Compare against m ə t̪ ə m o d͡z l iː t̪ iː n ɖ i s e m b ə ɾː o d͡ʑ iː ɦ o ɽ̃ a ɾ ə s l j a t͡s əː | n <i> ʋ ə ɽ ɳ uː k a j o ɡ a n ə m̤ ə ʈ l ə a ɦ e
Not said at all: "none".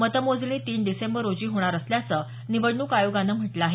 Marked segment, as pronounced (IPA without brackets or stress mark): i